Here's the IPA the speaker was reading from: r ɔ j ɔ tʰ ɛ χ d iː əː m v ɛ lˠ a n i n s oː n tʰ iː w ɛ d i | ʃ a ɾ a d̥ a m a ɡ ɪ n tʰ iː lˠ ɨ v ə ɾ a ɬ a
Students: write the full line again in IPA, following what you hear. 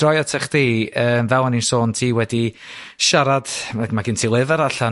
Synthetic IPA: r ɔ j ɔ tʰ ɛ χ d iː əː m v ɛ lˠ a n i n s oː n tʰ iː w ɛ d i | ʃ a ɾ a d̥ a m a ɡ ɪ n tʰ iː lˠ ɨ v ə ɾ a ɬ a